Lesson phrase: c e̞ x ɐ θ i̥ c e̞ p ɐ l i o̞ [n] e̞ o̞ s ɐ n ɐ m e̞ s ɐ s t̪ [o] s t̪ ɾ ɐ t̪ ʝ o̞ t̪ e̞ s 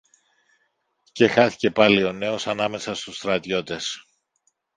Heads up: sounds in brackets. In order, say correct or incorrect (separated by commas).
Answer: correct, incorrect